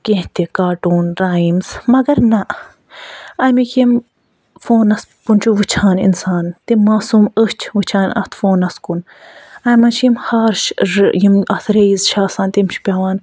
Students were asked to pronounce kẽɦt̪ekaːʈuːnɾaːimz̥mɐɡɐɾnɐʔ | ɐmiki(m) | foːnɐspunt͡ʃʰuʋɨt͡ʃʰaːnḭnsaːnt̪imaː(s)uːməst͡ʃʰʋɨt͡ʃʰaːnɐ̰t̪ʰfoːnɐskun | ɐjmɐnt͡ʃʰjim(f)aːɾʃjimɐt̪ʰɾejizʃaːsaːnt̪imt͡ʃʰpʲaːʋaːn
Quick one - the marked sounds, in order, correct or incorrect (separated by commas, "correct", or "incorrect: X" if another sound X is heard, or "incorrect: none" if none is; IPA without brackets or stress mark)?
correct, correct, incorrect: h